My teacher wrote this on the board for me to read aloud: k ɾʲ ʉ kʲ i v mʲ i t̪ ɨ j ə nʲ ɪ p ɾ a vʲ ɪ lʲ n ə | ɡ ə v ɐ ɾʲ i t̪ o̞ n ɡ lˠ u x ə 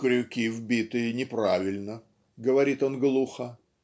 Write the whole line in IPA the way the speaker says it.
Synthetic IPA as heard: k ɾʲ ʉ kʲ i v bʲ i t̪ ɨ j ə nʲ ɪ p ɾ a vʲ ɪ lʲ n ə | ɡ ə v ɐ ɾʲ i t̪ o̞ n ɡ lˠ u x ə